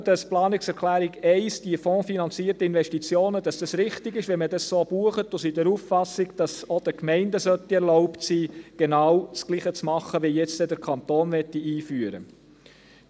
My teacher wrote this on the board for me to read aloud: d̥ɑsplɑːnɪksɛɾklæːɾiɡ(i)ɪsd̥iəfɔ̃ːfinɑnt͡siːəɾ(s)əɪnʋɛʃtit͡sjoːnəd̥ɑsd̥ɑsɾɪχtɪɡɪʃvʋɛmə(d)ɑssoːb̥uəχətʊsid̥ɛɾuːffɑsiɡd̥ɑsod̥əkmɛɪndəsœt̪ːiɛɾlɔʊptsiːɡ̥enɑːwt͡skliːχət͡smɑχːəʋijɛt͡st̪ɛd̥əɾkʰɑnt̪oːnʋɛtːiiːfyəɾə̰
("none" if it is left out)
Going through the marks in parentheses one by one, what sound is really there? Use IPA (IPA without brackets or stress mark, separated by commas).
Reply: ɛ, t, d